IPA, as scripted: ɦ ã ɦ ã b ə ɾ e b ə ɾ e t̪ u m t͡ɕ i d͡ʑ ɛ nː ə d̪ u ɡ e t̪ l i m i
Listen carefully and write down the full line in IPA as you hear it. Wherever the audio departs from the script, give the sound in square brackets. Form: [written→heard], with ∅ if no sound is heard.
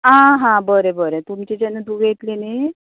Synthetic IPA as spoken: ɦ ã ɦ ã b ə ɾ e b ə ɾ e t̪ u m t͡ɕ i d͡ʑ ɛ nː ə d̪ u ɡ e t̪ l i [m→n] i